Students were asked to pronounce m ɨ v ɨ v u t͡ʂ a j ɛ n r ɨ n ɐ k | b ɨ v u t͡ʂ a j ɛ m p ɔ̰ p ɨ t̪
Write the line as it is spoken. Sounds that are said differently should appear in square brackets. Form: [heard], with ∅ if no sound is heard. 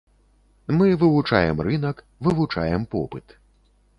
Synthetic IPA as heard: m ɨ v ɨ v u t͡ʂ a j ɛ [m] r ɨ n ɐ k | [v] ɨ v u t͡ʂ a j ɛ m p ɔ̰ p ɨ t̪